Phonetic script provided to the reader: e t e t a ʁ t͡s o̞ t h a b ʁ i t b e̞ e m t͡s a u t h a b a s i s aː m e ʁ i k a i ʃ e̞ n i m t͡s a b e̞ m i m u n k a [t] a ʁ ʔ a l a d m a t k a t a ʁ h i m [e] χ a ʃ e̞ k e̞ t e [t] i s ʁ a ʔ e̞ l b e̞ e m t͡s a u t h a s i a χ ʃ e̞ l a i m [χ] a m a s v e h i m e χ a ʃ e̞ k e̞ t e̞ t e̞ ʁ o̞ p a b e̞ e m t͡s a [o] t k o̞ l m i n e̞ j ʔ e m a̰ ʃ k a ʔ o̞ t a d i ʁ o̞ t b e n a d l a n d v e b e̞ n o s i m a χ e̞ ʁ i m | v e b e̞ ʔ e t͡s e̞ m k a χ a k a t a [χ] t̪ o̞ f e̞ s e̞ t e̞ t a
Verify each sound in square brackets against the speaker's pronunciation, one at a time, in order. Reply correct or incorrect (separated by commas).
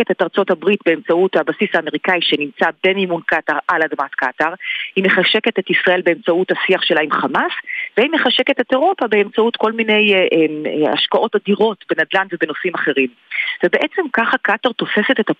correct, correct, correct, correct, incorrect, incorrect